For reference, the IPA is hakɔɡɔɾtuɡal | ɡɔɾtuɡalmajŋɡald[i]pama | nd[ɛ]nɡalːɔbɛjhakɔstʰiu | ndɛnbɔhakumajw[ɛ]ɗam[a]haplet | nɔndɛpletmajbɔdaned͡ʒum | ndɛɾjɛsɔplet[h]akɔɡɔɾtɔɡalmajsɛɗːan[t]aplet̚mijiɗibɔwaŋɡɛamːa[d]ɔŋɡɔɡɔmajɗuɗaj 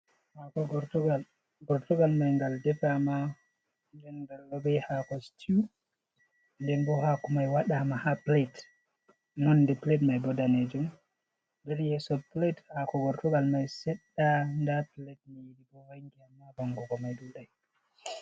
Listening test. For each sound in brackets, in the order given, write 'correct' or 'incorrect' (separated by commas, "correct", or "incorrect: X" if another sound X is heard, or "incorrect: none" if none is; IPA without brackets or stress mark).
incorrect: ɛ, correct, incorrect: a, correct, correct, incorrect: d, incorrect: b